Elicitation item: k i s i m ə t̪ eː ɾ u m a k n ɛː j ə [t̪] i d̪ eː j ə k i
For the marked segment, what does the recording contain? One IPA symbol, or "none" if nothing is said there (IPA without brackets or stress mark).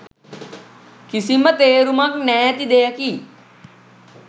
t̪